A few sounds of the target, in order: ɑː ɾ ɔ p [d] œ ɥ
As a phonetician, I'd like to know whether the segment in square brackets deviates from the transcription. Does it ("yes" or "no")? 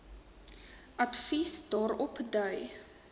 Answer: no